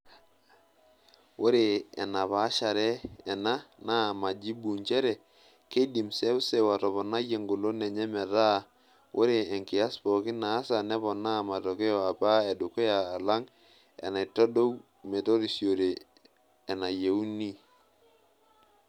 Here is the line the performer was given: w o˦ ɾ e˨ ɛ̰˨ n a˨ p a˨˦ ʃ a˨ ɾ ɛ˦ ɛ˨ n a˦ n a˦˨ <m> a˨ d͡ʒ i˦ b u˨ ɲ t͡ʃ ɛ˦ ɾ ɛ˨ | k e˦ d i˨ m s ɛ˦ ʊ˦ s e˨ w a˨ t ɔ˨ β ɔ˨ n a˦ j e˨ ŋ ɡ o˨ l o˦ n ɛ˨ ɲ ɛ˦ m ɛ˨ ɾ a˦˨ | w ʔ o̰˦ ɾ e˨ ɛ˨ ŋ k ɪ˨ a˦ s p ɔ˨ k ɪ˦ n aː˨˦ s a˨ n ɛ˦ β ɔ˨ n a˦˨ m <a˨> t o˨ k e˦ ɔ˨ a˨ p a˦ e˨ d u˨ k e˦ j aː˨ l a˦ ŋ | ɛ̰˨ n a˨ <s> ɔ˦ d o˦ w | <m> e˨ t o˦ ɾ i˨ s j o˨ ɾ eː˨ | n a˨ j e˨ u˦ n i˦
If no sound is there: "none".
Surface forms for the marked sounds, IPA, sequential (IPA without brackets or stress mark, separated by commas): m, a˨, t, m